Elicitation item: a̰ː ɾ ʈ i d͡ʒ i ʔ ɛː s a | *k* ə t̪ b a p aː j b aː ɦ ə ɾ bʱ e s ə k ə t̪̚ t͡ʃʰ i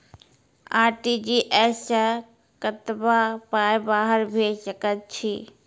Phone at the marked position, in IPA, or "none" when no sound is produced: k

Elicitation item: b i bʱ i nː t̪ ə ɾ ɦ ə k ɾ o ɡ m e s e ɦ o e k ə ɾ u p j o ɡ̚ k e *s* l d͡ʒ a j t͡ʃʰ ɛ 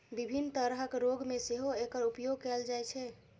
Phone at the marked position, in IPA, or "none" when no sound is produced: none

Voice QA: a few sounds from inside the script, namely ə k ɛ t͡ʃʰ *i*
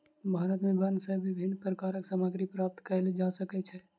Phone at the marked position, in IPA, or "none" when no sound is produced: ɛ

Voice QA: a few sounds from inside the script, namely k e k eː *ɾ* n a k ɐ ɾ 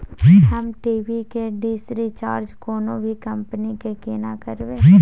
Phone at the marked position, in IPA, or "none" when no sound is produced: none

